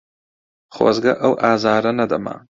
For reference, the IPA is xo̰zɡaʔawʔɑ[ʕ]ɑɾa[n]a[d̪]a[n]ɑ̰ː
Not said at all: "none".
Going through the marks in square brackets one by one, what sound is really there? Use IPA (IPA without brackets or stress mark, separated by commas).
z, n, d̪, m